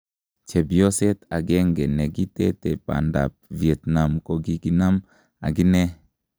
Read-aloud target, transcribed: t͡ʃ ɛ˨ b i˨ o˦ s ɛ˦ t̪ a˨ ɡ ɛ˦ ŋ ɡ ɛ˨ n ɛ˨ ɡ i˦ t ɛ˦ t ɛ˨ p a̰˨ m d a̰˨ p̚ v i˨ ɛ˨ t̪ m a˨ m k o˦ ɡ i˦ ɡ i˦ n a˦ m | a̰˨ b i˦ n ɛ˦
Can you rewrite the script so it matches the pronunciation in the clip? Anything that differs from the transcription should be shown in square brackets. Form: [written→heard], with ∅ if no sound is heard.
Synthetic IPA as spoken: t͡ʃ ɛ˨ b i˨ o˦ s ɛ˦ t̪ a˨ ɡ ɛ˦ ŋ ɡ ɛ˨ n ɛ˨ ɡ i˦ t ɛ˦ t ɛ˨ p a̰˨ [m→n] d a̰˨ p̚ v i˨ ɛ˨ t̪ [m→n] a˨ m k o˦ ɡ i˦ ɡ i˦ n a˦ m | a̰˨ [b→ɡ] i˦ n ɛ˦